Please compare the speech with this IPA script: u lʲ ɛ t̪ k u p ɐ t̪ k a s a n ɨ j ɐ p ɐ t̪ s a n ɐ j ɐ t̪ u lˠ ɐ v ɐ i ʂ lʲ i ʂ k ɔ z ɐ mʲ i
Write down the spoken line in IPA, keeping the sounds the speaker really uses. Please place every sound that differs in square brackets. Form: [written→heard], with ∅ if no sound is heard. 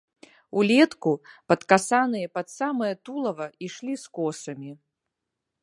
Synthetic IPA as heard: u lʲ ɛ t̪ k u p ɐ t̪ k a s a n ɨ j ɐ p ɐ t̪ s a [n→m] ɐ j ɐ t̪ u lˠ ɐ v ɐ i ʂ lʲ i [ʂ→s] k ɔ [z→s] ɐ mʲ i